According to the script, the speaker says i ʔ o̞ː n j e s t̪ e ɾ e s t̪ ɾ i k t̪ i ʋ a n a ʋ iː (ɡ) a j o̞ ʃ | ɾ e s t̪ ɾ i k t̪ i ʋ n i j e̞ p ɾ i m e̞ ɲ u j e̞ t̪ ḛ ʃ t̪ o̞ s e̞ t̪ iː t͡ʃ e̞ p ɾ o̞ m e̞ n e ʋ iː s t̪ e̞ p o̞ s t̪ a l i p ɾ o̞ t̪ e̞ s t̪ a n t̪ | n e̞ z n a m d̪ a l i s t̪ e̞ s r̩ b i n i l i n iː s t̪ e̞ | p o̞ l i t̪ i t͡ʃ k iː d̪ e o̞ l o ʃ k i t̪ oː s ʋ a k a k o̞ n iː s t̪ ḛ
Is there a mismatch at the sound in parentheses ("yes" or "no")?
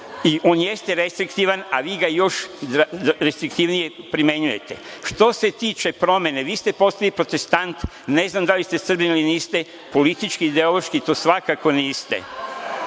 no